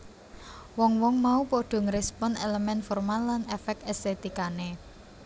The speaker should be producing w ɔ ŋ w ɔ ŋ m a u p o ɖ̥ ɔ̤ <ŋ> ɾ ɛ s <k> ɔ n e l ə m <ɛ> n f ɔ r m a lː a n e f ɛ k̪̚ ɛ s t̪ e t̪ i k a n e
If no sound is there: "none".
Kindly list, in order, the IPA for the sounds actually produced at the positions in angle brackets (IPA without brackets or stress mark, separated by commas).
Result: ŋ, p, ɛ